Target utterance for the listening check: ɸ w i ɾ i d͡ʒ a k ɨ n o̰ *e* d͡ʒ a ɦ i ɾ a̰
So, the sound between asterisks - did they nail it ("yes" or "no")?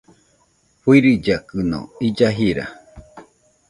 no